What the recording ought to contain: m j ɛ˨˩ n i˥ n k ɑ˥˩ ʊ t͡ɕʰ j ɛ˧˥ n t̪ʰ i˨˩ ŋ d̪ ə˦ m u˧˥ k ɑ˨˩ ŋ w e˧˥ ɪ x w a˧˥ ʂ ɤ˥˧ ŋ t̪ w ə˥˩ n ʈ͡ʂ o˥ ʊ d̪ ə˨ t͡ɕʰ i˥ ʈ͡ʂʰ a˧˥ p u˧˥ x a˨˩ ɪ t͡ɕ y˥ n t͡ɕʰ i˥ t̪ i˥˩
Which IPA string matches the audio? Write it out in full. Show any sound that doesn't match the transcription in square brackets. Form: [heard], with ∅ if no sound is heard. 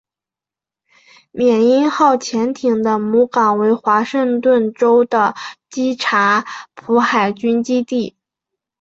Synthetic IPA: m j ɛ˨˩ n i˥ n [x] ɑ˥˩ ʊ t͡ɕʰ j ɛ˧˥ n t̪ʰ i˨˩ ŋ d̪ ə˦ m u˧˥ k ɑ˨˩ ŋ w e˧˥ ɪ x w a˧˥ ʂ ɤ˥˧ ŋ t̪ w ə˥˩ n ʈ͡ʂ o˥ ʊ d̪ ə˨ [t͡ɕ] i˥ ʈ͡ʂʰ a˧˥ [pʰ] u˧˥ x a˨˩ ɪ t͡ɕ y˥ n [t͡ɕ] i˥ t̪ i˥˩